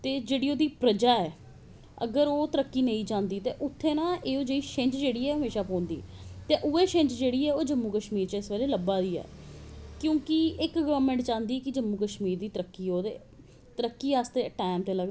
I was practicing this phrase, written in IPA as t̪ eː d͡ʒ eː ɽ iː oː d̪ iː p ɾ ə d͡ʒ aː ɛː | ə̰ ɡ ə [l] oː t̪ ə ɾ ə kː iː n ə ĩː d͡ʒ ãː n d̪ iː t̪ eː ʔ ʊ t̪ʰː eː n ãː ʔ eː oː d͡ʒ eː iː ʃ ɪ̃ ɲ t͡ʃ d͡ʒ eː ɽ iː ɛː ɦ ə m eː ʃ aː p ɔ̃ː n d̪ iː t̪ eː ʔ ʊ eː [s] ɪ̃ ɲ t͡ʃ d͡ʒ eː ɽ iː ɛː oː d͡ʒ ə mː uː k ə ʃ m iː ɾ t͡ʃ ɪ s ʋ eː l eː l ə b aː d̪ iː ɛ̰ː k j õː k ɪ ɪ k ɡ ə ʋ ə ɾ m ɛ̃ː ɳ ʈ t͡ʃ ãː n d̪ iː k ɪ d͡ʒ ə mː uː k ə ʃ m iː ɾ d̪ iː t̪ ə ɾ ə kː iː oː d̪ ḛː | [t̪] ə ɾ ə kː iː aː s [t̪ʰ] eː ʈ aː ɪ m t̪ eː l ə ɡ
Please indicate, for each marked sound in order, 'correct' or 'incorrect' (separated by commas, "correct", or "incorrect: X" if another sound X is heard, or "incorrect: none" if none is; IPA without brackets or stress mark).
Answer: incorrect: ɾ, incorrect: ʃ, correct, incorrect: t̪